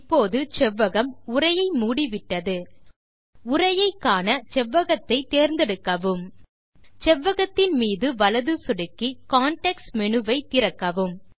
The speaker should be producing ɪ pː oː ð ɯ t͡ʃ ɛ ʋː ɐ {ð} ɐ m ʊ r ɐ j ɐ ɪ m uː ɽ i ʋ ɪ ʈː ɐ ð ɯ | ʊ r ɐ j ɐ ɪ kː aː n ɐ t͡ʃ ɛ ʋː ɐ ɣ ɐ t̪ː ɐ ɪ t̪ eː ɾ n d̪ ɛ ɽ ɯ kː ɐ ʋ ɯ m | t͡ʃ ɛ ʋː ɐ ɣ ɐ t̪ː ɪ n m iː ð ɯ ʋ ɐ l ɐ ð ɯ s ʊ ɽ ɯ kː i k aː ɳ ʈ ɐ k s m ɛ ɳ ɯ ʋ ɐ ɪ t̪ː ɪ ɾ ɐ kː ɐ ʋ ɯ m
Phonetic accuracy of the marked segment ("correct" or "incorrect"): incorrect